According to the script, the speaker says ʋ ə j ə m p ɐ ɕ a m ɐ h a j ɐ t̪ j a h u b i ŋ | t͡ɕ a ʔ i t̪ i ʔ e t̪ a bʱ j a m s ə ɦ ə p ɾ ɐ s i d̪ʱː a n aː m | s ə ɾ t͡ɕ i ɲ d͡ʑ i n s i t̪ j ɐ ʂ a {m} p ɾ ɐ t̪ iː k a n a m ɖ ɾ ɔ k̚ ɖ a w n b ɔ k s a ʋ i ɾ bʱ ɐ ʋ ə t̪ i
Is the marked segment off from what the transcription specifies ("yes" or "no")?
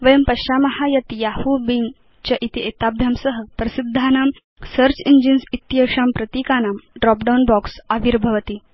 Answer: no